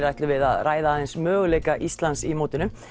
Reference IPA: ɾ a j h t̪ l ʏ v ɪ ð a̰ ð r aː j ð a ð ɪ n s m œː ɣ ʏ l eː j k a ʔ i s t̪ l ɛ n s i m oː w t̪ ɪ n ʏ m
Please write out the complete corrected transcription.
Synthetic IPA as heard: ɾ a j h t̪ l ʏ v ɪ ð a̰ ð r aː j ð a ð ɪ n s m œː ɣ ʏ l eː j k a ʔ i s t̪ l a n s i m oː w t̪ ɪ n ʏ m